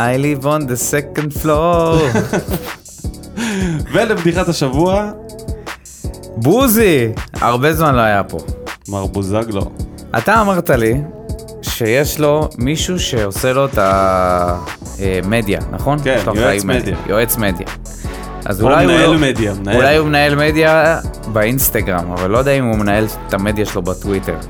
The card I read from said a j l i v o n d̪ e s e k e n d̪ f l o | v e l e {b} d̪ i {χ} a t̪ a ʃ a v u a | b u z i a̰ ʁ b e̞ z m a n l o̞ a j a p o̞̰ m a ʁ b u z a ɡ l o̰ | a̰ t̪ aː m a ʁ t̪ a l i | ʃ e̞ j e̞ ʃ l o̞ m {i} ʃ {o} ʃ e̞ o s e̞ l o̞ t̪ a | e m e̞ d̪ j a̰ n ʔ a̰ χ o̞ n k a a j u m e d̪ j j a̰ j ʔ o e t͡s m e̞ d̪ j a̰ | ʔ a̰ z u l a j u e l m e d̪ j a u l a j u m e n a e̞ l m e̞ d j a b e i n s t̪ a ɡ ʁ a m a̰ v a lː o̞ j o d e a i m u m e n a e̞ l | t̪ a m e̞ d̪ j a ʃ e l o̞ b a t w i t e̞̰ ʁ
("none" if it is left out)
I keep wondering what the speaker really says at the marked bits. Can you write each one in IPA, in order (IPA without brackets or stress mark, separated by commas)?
b, χ, i, u